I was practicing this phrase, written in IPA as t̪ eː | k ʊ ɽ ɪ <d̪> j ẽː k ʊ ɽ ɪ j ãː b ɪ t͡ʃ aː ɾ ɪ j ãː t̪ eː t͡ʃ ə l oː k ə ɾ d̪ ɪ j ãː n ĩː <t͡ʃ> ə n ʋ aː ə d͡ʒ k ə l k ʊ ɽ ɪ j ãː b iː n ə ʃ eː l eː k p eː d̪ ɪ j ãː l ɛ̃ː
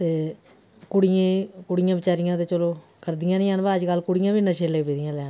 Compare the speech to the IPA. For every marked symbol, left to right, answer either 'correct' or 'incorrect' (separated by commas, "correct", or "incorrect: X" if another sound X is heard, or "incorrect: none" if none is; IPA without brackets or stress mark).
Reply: incorrect: none, incorrect: none